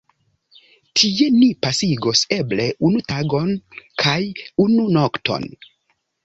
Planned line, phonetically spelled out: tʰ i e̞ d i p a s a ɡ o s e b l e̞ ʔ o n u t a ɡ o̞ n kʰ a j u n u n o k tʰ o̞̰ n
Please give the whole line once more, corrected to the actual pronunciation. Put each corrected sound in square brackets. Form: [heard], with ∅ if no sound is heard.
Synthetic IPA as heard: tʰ i e̞ [n] i p a s [i] ɡ o s e b l e̞ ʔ [u] n u t a ɡ o̞ n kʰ a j u n u n o k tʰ o̞̰ n